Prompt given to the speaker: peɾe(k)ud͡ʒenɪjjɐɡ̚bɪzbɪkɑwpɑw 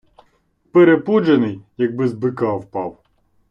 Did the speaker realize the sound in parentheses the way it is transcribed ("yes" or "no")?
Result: no